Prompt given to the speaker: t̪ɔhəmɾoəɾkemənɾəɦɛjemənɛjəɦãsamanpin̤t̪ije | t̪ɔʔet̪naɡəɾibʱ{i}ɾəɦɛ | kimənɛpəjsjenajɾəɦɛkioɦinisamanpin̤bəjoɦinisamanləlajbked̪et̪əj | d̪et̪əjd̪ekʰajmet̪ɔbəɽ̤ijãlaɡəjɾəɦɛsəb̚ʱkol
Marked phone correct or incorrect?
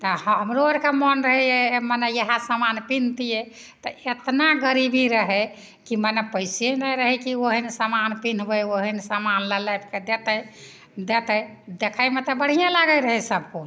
correct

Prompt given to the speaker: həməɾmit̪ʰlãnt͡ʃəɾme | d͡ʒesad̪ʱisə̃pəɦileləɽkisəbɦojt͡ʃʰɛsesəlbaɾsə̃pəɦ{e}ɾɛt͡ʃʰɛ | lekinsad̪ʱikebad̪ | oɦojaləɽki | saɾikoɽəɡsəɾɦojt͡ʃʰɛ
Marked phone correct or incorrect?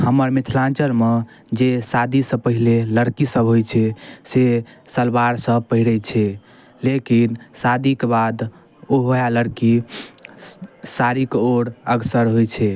incorrect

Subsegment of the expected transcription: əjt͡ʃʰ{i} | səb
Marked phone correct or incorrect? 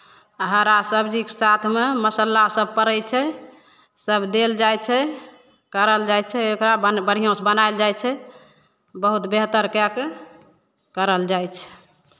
incorrect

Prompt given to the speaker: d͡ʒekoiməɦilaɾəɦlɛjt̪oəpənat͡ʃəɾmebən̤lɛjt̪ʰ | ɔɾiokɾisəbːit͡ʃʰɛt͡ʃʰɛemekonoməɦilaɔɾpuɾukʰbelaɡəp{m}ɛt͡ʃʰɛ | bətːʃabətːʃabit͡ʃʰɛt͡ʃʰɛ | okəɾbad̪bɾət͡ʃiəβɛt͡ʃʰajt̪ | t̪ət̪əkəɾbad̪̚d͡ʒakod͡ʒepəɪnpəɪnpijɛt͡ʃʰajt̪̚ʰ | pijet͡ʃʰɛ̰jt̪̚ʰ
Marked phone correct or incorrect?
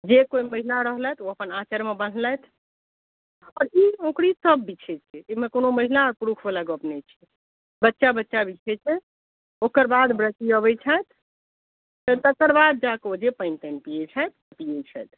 incorrect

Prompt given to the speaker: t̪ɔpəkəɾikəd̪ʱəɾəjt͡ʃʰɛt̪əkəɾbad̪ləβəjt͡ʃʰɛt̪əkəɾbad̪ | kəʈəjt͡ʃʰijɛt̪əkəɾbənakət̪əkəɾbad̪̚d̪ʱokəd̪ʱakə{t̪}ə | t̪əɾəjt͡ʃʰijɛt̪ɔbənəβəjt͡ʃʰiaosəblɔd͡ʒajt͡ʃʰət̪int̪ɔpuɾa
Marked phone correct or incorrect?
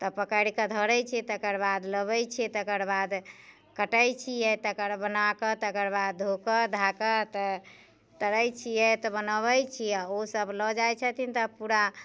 correct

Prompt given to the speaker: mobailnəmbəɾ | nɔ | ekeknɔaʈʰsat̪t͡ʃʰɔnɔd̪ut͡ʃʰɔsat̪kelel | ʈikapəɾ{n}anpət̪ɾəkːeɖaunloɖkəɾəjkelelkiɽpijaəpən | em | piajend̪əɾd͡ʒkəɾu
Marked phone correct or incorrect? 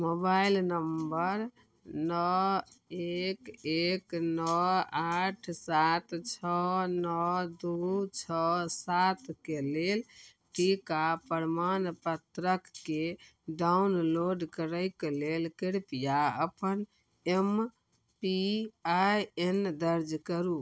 incorrect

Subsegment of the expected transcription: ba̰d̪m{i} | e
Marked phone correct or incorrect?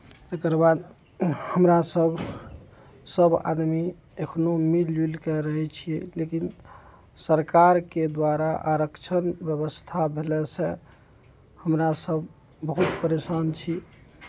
correct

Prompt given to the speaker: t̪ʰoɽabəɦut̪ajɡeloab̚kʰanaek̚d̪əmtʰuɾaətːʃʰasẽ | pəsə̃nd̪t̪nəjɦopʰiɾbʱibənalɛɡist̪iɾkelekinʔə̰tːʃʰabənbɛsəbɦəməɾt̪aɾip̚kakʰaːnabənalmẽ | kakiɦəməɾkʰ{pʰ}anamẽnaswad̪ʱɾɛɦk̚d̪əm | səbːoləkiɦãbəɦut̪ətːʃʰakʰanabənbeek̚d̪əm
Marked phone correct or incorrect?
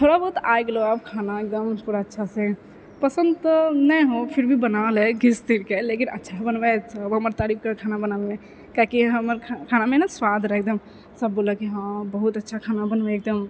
incorrect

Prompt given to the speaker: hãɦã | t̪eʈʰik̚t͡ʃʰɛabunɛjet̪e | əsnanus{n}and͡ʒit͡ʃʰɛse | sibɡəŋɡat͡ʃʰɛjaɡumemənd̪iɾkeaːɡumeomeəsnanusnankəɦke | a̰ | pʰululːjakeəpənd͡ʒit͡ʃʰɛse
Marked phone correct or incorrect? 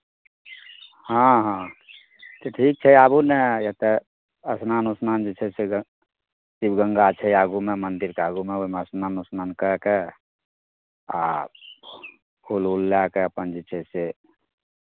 correct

